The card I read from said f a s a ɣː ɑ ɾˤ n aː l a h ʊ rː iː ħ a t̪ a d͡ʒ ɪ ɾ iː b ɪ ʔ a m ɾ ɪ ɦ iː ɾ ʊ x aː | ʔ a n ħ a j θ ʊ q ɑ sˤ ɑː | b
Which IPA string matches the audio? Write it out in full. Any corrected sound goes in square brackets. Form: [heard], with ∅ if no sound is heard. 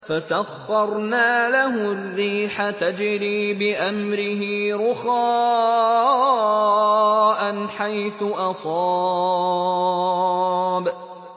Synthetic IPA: f a s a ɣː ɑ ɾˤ n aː l a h ʊ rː iː ħ a t̪ a d͡ʒ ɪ ɾ iː b ɪ ʔ a m ɾ ɪ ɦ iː ɾ ʊ x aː | ʔ a n ħ a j θ ʊ [ʔ] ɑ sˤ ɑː | b

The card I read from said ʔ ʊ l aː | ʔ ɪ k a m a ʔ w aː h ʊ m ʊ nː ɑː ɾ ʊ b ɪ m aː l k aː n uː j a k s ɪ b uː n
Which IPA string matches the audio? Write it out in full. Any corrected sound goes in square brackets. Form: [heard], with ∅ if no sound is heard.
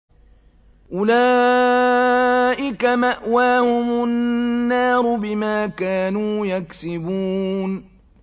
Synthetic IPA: ʔ ʊ l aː | ʔ ɪ k a m a ʔ w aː h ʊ m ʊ nː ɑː ɾ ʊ b ɪ m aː [∅] k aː n uː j a k s ɪ b uː n

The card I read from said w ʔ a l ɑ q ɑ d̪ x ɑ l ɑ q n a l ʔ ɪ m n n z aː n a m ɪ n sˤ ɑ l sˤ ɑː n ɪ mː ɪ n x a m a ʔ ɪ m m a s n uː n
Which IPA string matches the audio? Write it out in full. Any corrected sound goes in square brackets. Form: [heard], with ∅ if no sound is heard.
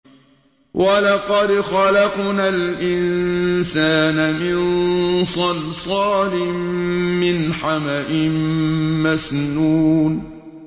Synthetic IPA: w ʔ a l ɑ q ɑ d̪ x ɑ l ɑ q n a l ʔ ɪ [∅] n n [s] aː n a m ɪ n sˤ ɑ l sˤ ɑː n ɪ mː ɪ n [ħ] a m a ʔ ɪ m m a s n uː n

